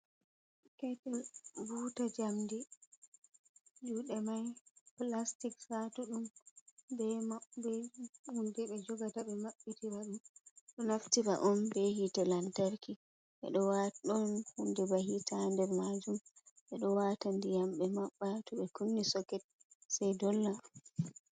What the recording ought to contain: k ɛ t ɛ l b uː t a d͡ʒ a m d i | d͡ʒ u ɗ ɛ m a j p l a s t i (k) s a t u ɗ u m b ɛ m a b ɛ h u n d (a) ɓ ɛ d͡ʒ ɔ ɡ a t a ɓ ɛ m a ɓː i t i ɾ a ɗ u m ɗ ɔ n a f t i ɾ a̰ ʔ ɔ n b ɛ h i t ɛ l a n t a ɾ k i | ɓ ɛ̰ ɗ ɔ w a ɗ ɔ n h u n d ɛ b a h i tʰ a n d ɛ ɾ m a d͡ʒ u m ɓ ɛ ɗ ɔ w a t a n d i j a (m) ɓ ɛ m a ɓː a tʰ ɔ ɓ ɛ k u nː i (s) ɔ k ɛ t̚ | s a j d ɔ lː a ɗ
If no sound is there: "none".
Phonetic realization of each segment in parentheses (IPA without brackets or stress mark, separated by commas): k, ɛ, m, s